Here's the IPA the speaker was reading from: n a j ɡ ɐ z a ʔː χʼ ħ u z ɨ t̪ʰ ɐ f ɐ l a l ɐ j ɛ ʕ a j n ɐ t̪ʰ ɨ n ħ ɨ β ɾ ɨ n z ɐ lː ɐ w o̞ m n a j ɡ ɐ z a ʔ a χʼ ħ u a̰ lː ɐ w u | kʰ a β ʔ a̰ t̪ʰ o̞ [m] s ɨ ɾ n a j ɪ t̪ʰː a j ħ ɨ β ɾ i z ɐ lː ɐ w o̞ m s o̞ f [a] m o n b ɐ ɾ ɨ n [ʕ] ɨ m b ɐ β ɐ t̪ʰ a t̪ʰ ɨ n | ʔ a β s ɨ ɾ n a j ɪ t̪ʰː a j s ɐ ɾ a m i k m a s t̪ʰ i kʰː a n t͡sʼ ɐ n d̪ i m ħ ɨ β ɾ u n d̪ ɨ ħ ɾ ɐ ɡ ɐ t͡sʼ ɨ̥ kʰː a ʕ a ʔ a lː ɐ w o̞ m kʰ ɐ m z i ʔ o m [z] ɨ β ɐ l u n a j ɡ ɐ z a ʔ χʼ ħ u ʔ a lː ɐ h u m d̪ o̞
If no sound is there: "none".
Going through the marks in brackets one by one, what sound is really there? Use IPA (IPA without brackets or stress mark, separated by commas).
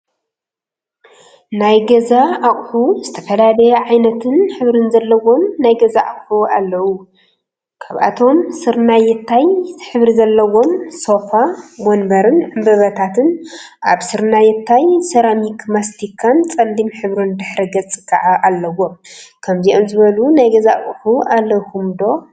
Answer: m, a, ʕ, z